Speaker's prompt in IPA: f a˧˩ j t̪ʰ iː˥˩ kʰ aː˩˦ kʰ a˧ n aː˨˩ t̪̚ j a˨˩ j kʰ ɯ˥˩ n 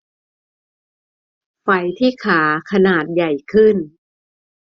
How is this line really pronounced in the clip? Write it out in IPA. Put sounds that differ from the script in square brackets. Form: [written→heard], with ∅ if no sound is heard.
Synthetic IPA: f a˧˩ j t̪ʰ iː˥˩ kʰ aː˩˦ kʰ a˧ n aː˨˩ t̪̚ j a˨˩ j kʰ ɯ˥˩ n